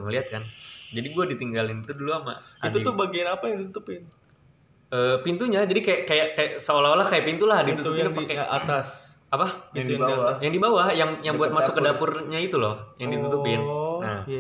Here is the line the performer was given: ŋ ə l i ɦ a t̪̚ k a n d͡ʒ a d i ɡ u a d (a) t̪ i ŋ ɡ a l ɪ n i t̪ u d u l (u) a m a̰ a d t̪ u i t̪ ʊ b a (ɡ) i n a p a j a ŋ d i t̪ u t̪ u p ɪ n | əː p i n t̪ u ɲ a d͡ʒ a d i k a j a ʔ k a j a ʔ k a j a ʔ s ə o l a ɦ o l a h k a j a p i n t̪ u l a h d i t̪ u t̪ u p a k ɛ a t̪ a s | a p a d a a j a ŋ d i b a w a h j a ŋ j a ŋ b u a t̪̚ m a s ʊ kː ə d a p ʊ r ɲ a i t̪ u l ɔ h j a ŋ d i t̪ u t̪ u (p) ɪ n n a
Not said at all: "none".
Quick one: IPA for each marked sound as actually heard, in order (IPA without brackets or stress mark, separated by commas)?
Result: i, u, ɡ, p